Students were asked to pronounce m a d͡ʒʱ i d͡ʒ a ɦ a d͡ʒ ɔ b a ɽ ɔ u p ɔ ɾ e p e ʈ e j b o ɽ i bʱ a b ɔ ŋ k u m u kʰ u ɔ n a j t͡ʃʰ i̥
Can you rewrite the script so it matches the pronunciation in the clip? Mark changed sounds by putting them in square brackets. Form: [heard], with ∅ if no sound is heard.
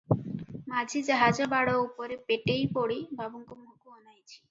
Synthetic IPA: m a d͡ʒʱ i d͡ʒ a ɦ a d͡ʒ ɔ b a ɽ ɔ u p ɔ ɾ e p e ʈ e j [p] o ɽ i bʱ a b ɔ ŋ k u m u [k] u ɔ n a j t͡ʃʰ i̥